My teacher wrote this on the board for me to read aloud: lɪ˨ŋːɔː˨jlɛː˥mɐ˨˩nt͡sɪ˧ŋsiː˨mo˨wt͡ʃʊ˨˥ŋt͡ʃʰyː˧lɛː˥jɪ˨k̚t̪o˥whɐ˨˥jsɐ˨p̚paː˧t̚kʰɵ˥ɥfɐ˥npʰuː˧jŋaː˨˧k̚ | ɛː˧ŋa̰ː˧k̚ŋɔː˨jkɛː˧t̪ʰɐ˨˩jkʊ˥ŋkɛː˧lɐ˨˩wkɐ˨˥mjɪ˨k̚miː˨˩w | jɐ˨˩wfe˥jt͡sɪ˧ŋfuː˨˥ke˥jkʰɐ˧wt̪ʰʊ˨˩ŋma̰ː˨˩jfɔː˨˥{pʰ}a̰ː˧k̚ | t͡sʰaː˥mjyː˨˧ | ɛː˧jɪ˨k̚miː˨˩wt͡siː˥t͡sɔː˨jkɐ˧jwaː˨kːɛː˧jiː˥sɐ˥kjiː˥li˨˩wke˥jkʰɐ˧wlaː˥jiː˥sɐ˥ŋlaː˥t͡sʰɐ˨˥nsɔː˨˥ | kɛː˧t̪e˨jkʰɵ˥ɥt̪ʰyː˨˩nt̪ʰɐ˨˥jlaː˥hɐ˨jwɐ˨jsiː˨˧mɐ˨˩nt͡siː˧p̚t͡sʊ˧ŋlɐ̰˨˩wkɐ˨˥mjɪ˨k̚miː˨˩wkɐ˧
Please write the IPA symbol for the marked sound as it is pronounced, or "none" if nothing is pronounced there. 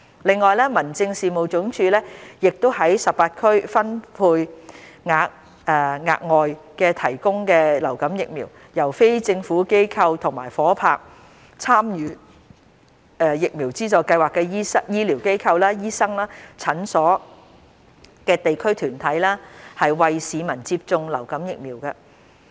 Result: pʰ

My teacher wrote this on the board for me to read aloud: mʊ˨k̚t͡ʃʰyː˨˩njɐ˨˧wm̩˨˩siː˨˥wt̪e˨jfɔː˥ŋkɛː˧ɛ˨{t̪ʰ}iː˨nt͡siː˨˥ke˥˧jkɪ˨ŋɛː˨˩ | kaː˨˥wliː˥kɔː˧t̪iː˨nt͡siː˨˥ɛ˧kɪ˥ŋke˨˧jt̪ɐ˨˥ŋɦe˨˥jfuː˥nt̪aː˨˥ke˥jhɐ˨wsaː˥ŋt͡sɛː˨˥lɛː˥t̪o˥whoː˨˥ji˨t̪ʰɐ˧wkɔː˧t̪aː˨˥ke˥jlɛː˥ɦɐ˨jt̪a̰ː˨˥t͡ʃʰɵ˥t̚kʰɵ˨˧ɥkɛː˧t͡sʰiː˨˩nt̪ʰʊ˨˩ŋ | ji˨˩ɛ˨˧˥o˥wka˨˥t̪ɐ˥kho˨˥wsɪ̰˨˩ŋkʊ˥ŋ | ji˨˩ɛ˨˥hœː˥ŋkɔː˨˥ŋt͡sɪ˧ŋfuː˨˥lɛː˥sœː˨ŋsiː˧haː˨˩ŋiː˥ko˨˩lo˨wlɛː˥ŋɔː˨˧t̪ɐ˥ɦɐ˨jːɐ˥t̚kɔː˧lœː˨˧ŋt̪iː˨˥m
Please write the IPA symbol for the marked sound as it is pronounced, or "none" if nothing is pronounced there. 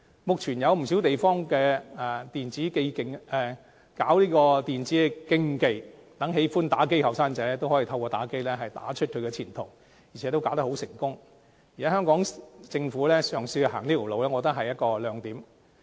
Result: t̪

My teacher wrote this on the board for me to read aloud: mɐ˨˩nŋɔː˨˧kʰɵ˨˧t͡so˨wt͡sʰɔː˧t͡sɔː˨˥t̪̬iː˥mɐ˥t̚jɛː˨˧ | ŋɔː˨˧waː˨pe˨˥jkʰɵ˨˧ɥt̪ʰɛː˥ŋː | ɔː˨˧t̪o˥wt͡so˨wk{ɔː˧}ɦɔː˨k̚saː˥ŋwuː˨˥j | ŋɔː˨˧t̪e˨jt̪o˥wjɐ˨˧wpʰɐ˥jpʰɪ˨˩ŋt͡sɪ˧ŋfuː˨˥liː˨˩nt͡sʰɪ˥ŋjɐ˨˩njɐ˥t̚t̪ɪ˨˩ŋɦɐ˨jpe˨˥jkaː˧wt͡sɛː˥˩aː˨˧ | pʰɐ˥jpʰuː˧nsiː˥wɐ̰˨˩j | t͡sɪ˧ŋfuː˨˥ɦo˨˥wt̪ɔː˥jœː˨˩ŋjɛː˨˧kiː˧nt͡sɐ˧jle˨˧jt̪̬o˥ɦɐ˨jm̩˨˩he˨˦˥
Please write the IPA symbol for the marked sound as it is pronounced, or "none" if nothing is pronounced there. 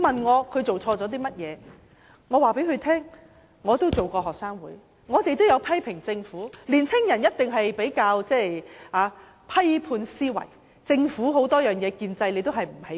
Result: ɔː˧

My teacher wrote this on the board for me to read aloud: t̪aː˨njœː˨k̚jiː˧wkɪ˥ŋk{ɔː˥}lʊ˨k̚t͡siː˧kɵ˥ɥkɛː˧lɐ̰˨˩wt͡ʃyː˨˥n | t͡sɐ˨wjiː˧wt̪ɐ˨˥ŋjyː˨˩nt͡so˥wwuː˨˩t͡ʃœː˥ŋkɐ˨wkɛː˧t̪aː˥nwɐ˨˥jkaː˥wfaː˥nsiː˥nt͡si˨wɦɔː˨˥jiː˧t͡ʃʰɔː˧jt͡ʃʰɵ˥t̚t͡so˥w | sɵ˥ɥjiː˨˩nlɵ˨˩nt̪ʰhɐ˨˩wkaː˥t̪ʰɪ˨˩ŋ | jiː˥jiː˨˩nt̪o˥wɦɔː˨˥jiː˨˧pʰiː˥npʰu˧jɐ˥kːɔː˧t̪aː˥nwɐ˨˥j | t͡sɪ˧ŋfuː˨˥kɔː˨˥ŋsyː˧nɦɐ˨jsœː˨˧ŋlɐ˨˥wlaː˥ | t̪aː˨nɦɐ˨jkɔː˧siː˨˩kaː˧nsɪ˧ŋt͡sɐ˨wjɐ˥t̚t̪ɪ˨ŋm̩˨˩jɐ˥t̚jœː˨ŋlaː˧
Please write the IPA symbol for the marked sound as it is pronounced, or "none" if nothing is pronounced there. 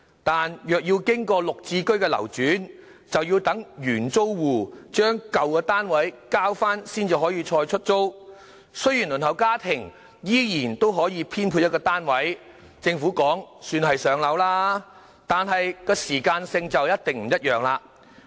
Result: ɔː˧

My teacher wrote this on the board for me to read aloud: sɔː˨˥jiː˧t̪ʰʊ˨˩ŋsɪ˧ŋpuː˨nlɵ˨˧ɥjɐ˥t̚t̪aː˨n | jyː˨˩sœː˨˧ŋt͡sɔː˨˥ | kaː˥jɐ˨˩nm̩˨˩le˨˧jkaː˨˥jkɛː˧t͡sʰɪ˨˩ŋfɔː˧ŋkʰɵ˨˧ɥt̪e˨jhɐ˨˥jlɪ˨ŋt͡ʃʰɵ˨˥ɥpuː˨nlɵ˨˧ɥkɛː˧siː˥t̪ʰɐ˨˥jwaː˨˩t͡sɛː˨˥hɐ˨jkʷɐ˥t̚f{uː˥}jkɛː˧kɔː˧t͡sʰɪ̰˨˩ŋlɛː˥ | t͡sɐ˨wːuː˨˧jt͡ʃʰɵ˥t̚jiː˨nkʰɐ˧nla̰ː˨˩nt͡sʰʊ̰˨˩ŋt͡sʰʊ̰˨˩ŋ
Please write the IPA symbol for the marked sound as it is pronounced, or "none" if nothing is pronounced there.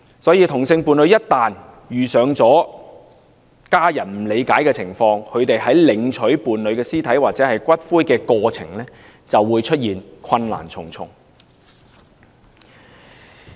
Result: uː˥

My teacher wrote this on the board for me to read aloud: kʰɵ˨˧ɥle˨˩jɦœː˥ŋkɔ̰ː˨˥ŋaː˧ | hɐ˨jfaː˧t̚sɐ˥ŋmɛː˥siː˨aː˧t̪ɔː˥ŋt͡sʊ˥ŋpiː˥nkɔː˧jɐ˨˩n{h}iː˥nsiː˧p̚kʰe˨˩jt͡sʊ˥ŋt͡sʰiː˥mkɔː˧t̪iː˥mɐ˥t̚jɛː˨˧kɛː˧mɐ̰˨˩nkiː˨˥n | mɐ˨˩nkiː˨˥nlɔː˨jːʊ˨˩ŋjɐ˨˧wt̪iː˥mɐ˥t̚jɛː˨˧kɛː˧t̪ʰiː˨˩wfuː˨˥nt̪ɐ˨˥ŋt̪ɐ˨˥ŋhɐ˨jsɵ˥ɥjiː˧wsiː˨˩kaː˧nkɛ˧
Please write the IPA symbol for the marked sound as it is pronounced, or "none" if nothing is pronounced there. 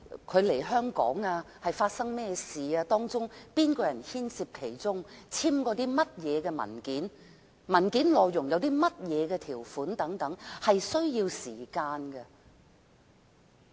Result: h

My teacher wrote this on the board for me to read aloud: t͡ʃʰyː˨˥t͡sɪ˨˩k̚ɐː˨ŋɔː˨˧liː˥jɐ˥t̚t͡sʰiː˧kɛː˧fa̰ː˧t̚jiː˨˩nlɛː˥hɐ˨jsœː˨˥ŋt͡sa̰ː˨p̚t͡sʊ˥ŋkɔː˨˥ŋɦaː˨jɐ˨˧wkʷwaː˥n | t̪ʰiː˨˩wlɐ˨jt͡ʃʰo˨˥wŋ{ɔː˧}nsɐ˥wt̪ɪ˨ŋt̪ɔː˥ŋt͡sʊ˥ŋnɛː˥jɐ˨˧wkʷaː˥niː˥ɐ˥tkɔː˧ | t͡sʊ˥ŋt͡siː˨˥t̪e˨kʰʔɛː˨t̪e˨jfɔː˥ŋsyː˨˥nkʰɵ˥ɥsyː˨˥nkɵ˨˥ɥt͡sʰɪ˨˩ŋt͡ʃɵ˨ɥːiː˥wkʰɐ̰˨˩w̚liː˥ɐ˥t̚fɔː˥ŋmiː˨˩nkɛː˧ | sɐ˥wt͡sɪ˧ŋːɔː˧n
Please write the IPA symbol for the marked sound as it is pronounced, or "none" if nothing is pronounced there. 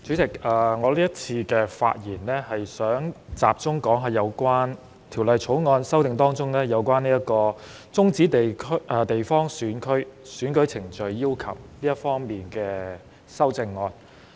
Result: ɔː˧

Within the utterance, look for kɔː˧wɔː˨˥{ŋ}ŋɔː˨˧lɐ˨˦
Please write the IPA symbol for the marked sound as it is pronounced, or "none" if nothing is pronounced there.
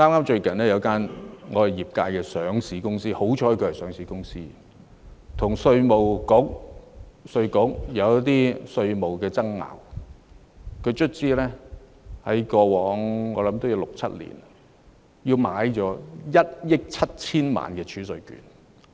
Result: ŋ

